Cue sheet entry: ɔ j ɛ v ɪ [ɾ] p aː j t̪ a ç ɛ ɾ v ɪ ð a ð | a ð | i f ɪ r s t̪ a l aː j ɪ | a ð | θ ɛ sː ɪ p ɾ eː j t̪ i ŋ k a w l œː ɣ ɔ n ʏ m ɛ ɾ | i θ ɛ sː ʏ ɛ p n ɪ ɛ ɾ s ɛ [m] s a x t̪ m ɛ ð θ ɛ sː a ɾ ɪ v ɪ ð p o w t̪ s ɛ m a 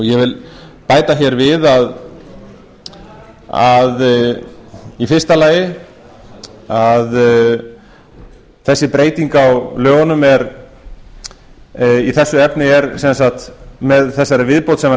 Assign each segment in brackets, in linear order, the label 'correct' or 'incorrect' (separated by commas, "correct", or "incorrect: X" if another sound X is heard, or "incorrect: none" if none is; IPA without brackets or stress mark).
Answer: incorrect: l, incorrect: n